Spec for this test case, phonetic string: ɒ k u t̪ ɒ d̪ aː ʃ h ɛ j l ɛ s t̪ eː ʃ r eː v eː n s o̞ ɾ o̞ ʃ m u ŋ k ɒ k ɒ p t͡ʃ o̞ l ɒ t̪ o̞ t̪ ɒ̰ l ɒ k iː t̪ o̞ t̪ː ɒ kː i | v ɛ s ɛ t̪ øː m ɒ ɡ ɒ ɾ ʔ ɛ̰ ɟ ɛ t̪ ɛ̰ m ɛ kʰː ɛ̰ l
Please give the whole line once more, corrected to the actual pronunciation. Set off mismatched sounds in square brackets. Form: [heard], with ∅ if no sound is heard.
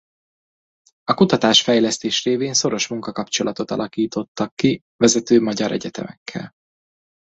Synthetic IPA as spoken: ɒ k u t̪ ɒ [t̪] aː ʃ [f] ɛ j l ɛ s t̪ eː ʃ r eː v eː n s o̞ ɾ o̞ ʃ m u ŋ k ɒ k ɒ p t͡ʃ o̞ l ɒ t̪ o̞ t̪ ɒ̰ l ɒ k iː t̪ o̞ t̪ː ɒ kː i | v ɛ [z] ɛ t̪ øː m ɒ [ɟ] ɒ ɾ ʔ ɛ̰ ɟ ɛ t̪ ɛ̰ m ɛ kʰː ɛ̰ l